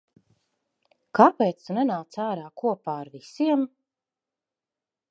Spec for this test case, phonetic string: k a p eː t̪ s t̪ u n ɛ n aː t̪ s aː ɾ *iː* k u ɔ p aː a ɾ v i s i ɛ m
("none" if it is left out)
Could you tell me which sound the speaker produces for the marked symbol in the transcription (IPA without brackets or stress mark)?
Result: aː